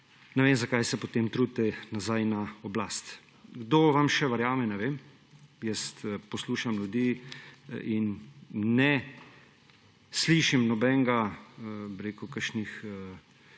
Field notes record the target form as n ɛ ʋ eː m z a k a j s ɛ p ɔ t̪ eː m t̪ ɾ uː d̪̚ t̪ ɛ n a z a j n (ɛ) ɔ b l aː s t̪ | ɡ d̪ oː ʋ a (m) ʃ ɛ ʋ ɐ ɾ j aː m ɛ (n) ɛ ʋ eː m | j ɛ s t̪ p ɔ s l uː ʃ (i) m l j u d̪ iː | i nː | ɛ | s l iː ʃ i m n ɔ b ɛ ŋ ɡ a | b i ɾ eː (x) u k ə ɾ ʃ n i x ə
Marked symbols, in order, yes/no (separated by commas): no, yes, yes, no, no